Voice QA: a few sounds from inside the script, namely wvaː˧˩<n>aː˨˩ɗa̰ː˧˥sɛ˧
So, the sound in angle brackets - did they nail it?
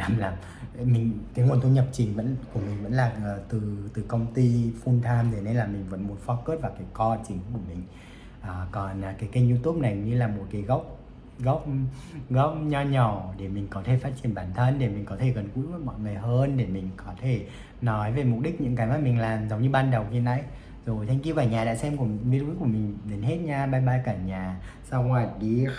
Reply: no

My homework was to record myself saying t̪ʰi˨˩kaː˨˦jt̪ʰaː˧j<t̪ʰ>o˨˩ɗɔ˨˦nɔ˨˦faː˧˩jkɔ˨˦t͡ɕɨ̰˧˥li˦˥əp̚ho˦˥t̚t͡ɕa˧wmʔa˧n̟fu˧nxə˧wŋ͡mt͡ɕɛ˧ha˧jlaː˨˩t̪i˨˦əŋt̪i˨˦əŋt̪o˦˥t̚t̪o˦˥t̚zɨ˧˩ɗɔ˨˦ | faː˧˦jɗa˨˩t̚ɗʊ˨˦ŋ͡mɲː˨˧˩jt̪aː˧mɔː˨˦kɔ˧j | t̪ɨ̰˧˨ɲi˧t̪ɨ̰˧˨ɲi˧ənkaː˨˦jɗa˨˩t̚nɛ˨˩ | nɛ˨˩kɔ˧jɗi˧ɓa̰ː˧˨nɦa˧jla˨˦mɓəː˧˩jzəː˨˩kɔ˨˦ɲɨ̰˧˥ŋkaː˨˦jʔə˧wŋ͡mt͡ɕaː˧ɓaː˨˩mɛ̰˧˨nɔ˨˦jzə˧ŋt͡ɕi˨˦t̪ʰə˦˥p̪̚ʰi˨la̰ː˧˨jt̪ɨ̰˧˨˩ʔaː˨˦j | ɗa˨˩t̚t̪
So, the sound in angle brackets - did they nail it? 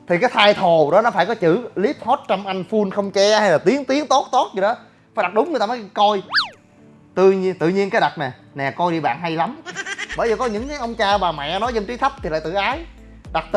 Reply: yes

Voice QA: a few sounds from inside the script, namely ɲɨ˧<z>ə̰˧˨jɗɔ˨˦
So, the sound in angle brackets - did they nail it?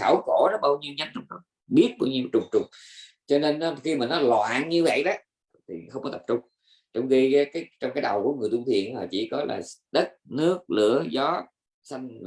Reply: no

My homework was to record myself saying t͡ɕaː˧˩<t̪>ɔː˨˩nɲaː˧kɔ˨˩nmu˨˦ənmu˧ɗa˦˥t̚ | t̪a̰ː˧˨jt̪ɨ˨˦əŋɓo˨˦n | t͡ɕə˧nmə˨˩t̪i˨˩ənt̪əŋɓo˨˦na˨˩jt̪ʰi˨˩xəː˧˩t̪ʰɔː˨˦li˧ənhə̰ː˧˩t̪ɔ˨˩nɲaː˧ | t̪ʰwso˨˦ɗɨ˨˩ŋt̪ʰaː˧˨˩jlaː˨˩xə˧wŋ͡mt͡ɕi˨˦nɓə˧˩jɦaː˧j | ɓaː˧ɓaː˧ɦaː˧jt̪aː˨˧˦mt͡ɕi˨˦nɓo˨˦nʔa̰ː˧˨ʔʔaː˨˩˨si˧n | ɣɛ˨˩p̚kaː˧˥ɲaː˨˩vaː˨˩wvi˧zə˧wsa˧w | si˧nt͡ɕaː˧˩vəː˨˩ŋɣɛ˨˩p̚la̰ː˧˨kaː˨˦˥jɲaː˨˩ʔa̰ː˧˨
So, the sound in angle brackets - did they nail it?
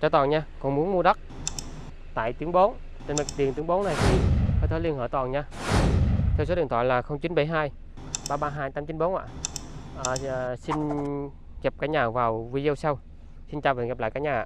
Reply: yes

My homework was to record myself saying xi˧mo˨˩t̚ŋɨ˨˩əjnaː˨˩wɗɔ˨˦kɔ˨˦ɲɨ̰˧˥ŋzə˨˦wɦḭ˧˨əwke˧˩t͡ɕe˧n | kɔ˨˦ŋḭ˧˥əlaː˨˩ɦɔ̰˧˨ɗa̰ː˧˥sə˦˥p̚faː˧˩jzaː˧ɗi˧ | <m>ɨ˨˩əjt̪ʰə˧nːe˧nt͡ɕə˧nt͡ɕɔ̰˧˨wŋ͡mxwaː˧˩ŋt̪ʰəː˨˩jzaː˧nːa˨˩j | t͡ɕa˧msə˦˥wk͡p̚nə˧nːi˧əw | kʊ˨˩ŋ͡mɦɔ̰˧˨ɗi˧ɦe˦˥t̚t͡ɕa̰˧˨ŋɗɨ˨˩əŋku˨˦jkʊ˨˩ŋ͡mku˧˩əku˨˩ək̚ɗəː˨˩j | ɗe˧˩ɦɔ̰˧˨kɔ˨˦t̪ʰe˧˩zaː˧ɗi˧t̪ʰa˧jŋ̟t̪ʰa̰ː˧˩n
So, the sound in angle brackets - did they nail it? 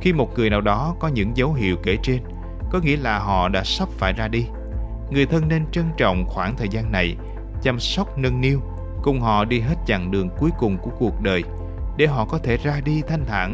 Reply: no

